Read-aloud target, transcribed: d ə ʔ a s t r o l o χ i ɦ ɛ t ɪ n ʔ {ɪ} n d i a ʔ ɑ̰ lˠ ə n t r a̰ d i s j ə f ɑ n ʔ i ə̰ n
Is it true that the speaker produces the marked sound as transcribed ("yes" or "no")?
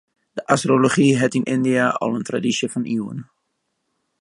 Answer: yes